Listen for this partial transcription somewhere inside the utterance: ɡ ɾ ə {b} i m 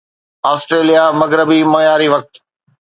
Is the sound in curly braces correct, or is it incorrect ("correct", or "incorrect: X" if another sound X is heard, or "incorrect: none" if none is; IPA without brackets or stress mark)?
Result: correct